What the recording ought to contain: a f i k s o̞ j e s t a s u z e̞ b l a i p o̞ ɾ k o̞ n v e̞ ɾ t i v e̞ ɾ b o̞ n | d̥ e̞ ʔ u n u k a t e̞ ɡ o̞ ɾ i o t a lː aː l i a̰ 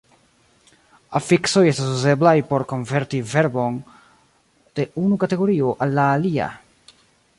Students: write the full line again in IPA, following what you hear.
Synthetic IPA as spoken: a f i k s o̞ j e s t a s u z e̞ b l a j p o̞ ɾ k o̞ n v e̞ ɾ t i v e̞ ɾ b o̞ n | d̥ e̞ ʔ u n u k a t e̞ ɡ o̞ ɾ i o ʔ a lː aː l i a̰